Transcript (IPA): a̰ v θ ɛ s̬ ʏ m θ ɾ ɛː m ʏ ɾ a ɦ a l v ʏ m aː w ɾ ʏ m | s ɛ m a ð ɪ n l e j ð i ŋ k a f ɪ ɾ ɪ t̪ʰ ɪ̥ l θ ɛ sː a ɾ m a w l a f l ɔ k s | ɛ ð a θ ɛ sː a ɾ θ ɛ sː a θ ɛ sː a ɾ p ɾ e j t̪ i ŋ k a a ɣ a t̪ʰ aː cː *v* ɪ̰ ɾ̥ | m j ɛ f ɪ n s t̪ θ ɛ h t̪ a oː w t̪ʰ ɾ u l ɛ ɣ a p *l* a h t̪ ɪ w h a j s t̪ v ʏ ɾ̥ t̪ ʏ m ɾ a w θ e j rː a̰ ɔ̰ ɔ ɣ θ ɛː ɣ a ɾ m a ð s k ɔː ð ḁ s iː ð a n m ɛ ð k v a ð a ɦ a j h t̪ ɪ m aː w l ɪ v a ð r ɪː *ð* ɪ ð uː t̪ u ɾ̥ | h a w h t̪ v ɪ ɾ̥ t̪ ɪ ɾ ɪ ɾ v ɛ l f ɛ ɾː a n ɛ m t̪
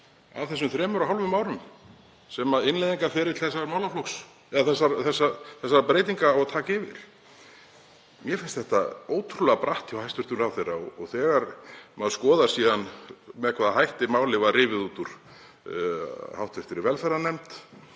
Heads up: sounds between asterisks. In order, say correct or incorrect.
correct, incorrect: ɾ, incorrect: v

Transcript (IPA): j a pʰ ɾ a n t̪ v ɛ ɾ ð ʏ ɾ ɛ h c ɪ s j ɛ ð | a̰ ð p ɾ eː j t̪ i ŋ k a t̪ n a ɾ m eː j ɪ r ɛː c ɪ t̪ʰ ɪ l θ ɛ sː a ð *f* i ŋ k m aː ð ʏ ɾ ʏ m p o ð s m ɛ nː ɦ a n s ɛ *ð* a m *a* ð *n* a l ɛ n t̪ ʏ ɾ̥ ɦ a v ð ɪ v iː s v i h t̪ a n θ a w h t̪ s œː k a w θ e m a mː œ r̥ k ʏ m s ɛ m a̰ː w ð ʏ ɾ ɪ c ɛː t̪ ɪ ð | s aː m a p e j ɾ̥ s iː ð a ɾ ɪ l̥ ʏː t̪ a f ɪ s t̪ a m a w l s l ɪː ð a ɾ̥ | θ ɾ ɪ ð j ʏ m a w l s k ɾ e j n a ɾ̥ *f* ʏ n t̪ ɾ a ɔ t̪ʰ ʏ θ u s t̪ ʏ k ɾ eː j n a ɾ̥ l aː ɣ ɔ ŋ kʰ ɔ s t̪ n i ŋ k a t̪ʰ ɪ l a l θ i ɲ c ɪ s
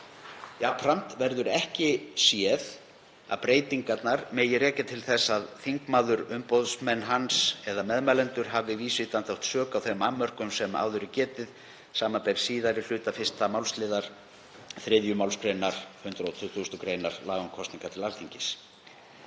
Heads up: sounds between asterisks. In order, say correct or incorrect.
incorrect: θ, correct, incorrect: ɛ, incorrect: m, incorrect: h

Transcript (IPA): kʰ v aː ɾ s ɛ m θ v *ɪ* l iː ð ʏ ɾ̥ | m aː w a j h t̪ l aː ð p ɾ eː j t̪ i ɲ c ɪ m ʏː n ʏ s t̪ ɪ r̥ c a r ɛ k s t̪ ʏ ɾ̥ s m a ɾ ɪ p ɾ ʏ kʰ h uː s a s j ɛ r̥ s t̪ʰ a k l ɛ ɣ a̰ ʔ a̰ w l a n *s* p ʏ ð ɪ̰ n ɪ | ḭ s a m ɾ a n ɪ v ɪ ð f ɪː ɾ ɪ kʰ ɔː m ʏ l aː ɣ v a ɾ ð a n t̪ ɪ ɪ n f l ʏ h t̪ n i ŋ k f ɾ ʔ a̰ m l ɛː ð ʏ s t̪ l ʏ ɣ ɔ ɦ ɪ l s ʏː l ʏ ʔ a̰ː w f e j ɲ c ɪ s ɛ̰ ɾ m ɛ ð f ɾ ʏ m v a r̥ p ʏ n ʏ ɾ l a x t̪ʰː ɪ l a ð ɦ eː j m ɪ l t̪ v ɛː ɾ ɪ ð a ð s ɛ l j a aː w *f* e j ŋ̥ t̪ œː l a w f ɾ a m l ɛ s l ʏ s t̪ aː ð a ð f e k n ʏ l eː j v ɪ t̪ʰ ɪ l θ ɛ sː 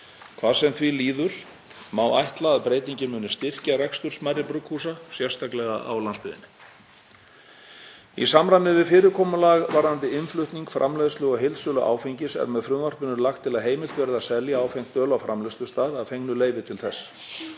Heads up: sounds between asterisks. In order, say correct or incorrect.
incorrect: i, correct, correct

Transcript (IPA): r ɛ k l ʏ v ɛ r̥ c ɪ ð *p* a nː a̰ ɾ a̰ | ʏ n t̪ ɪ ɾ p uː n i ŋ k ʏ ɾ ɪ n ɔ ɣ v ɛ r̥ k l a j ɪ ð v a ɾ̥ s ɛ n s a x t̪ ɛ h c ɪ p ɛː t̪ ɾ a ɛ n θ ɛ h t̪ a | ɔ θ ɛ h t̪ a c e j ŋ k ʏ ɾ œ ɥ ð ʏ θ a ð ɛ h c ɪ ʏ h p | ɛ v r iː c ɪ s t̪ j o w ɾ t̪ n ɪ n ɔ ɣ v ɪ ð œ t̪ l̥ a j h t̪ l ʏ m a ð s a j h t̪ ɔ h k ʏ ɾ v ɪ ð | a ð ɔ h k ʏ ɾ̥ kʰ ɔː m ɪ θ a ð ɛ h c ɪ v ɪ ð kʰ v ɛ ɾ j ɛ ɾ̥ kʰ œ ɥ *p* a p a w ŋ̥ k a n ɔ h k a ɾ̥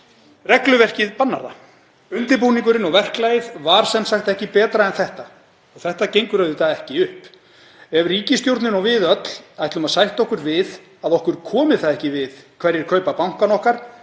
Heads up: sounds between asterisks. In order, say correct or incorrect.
correct, correct

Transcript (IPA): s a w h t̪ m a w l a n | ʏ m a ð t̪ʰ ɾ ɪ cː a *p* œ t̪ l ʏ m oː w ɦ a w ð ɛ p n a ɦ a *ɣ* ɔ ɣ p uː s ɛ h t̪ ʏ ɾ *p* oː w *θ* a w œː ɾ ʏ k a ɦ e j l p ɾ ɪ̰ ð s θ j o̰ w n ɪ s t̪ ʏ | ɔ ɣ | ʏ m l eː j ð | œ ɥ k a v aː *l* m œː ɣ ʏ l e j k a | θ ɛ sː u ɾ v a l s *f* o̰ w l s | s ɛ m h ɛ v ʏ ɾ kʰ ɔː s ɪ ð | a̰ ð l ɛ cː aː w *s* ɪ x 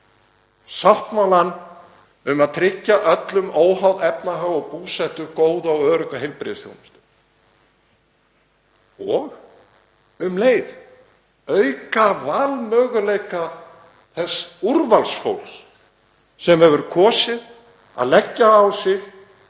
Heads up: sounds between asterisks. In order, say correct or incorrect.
incorrect: ʔ, correct, incorrect: k, incorrect: ð, correct, correct, correct

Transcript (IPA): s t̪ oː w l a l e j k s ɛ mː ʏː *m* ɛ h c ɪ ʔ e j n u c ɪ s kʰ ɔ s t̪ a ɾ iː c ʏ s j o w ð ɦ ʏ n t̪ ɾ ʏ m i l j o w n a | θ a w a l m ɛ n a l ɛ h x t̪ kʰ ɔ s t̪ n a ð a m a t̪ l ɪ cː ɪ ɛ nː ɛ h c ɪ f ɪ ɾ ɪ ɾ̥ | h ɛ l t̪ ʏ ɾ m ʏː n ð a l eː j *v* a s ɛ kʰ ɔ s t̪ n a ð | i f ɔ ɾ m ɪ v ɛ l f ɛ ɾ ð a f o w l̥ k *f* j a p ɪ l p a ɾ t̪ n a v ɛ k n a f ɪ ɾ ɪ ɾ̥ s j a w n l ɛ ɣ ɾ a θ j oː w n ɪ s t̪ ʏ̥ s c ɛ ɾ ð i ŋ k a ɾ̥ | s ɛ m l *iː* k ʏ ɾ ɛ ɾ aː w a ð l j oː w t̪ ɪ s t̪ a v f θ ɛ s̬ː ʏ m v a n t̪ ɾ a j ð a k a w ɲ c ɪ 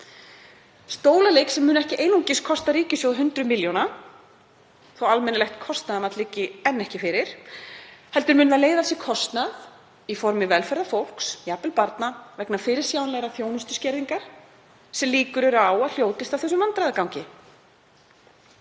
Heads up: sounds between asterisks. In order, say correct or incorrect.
incorrect: n, incorrect: ð, incorrect: s, correct

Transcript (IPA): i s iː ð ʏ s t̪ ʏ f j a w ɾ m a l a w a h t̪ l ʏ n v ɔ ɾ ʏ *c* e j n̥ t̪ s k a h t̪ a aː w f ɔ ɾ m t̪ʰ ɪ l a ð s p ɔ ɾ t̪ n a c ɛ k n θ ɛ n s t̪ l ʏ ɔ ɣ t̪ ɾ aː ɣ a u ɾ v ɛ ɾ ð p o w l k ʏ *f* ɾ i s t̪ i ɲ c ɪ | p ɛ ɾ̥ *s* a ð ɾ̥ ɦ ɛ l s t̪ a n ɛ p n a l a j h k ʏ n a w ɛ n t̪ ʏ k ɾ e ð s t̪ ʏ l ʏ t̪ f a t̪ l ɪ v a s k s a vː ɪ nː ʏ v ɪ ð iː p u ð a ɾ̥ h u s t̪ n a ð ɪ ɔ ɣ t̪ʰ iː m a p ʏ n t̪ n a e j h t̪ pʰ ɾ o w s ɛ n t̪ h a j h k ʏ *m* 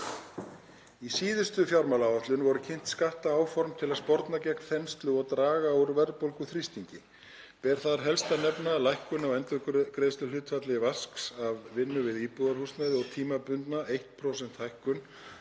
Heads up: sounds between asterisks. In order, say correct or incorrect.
incorrect: cʰ, incorrect: θ, incorrect: θ, incorrect: n

